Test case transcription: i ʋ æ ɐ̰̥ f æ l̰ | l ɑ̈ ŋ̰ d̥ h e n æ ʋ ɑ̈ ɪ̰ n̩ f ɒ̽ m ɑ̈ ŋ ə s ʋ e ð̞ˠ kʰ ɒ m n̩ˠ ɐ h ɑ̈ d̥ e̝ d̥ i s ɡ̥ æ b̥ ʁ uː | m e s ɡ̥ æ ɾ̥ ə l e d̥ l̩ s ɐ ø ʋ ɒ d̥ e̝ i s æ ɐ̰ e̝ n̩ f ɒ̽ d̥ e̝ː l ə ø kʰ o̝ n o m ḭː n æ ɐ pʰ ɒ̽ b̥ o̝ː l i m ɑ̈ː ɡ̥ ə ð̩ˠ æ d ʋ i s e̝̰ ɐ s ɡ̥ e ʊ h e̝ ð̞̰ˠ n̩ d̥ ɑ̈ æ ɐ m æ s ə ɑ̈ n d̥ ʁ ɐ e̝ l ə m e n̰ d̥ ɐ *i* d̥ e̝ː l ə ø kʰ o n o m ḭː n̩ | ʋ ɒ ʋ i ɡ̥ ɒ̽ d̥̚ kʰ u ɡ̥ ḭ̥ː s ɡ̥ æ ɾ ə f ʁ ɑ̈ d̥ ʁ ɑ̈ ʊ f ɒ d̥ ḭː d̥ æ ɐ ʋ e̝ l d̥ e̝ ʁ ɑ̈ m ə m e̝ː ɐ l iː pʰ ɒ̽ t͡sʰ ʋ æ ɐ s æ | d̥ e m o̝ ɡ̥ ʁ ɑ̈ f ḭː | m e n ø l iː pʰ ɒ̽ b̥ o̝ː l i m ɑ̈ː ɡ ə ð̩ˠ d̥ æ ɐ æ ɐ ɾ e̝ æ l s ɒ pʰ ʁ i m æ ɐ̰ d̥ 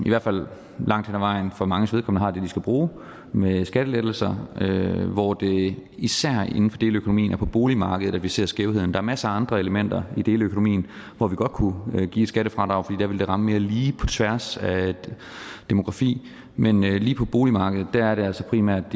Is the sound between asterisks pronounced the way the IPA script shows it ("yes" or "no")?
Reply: yes